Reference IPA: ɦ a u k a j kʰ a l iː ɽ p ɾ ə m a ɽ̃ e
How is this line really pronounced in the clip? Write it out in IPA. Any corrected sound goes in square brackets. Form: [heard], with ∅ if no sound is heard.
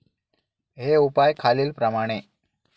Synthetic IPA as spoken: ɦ [e] u [p] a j kʰ a l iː [l] p ɾ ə m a ɽ̃ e